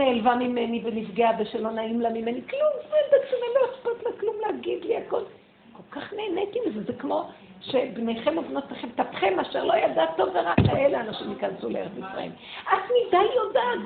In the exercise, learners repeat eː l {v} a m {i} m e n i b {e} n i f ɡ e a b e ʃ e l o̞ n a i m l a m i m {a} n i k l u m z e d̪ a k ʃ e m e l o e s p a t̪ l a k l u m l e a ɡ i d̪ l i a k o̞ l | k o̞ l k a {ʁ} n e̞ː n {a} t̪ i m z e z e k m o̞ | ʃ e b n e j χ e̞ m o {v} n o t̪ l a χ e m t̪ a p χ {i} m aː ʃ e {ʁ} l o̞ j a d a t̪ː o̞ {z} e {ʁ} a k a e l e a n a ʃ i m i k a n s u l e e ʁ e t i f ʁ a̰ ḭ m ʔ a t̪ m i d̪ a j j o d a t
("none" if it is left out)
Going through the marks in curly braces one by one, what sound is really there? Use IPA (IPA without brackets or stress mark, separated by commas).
v, i, e, e, χ, e, v, e, ʁ, v, ʁ